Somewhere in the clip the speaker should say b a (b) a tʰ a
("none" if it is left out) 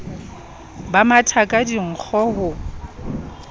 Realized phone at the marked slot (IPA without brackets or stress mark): m